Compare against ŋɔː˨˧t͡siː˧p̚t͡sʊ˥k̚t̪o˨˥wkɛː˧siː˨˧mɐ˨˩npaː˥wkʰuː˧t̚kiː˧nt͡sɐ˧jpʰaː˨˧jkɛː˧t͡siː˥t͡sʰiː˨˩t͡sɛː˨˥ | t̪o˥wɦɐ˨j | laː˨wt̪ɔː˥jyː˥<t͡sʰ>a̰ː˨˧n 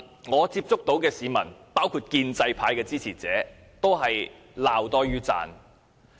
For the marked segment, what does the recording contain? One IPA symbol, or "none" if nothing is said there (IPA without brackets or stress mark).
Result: t͡s